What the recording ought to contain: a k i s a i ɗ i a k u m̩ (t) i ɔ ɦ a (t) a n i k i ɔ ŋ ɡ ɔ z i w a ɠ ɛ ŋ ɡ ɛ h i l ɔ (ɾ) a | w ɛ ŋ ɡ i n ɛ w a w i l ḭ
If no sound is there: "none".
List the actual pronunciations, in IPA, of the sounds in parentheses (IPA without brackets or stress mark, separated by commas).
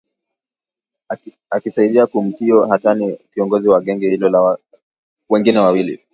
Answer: t, t, l